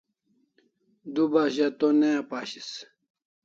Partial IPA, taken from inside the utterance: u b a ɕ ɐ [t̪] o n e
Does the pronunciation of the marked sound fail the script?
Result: no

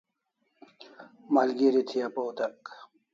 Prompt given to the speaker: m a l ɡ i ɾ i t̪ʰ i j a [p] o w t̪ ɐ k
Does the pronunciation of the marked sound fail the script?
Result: no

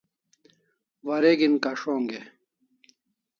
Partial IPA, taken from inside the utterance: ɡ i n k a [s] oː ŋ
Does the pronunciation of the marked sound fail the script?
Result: yes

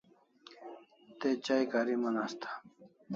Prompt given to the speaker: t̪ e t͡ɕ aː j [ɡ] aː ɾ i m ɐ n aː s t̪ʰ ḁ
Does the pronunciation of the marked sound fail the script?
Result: yes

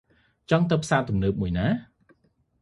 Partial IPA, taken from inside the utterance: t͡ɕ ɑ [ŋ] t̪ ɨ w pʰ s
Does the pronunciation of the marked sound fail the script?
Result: no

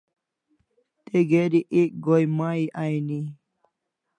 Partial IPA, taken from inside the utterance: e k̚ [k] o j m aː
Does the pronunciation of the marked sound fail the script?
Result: yes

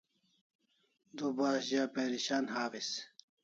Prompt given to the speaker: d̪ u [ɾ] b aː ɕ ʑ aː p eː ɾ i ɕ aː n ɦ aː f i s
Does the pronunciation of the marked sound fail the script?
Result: yes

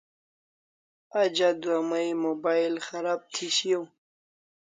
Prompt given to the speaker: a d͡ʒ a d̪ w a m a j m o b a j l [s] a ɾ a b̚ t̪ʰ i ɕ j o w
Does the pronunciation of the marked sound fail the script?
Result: yes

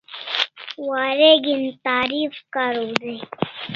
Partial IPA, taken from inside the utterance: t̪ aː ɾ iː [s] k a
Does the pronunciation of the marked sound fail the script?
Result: yes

